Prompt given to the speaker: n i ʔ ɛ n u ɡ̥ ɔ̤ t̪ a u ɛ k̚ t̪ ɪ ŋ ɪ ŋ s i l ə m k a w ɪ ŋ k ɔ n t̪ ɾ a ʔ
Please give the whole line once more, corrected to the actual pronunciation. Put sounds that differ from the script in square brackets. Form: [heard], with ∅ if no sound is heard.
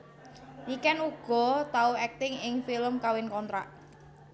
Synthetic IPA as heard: n i [k] ɛ n u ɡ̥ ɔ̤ t̪ a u ɛ k̚ t̪ ɪ ŋ ɪ ŋ [f] i l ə m k a w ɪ [n] k ɔ n t̪ ɾ a ʔ